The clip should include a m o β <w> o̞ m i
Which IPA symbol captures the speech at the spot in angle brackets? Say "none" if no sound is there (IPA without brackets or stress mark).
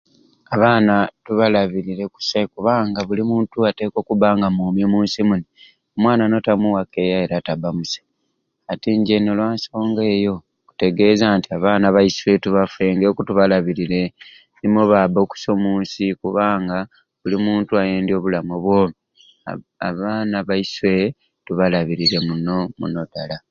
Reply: w